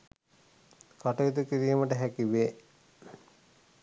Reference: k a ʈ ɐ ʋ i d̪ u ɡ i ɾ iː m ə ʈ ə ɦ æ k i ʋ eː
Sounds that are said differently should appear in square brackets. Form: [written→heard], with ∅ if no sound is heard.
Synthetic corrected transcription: k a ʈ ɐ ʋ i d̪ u [ɡ→k] i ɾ iː m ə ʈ ə ɦ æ k i ʋ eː